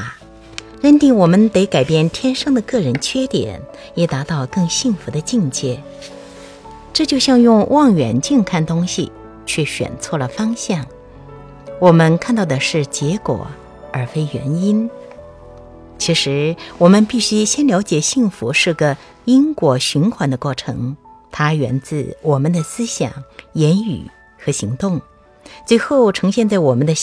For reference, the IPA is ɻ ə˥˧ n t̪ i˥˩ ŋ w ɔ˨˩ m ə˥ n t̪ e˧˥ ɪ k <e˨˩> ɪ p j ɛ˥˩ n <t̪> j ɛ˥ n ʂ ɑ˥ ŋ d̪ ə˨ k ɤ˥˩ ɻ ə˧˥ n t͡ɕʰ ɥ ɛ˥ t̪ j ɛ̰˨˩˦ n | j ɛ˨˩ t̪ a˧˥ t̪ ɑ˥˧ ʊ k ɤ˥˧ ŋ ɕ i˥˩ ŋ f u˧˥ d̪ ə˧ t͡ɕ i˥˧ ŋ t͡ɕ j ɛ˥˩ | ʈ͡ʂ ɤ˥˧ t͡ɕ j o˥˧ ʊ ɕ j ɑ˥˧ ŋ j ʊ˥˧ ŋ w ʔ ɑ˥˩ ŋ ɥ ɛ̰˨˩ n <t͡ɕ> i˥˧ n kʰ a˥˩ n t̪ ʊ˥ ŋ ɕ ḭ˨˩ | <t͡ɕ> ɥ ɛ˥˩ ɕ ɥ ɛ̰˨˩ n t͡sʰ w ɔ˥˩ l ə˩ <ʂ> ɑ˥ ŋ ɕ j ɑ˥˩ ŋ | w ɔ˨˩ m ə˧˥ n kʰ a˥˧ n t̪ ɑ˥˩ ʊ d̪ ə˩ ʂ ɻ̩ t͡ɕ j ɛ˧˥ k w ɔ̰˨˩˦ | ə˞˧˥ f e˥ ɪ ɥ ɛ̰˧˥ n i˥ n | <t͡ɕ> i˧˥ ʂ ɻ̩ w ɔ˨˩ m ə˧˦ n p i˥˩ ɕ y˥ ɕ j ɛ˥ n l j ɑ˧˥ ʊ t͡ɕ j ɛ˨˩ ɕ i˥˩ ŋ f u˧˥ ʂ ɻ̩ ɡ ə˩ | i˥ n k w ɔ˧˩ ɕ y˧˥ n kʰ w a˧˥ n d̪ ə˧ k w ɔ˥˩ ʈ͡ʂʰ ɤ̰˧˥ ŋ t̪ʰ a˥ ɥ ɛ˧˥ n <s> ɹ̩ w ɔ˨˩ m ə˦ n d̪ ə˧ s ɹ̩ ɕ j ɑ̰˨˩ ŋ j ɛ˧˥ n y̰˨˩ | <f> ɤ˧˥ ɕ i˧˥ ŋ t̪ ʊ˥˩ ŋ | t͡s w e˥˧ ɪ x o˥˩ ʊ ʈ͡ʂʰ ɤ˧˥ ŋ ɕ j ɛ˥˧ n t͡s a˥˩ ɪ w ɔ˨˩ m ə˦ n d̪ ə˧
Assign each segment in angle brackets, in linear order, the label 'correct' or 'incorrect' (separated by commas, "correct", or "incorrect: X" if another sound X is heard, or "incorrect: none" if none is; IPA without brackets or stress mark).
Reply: incorrect: a˨˩, incorrect: t̪ʰ, correct, incorrect: t͡ɕʰ, incorrect: f, incorrect: t͡ɕʰ, incorrect: t͡s, incorrect: x